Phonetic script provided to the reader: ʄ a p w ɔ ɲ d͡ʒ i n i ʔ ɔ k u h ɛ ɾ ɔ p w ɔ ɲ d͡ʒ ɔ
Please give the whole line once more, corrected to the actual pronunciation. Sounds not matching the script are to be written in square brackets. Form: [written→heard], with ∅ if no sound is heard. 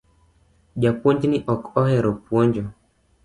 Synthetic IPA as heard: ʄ a p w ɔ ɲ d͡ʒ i n i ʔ ɔ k [u→ɔ] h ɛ ɾ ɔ p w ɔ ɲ d͡ʒ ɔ